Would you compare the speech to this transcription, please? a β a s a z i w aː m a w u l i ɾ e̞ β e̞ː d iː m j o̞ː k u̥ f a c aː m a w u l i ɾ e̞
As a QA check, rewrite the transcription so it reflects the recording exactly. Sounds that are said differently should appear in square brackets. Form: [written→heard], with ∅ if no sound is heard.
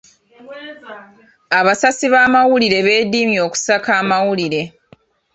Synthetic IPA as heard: a β a s a [z→s] i [w→β] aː m a w u l i ɾ e̞ β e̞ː d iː m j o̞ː k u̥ [f→s] a [c→k] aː m a w u l i ɾ e̞